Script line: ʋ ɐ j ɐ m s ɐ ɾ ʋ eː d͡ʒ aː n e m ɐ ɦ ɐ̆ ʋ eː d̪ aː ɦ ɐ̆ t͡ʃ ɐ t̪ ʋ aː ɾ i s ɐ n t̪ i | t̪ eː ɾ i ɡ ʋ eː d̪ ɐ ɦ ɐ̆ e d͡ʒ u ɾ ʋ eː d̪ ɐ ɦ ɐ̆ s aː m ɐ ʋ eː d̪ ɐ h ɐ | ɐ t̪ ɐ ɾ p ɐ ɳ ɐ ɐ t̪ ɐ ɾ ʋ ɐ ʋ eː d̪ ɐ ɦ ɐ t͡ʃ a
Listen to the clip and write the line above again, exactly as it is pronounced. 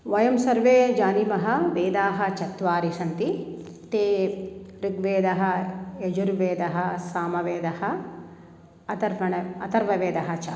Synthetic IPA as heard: ʋ ɐ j ɐ m s ɐ ɾ ʋ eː d͡ʒ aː n i m ɐ ɦ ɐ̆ ʋ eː d̪ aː ɦ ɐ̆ t͡ʃ ɐ t̪ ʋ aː ɾ i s ɐ n t̪ i | t̪ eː ɾ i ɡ ʋ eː d̪ ɐ ɦ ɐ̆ e d͡ʒ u ɾ ʋ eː d̪ ɐ ɦ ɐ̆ s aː m ɐ ʋ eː d̪ ɐ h ɐ | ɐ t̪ ɐ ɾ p ɐ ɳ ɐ ɐ t̪ ɐ ɾ ʋ ɐ ʋ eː d̪ ɐ ɦ ɐ t͡ʃ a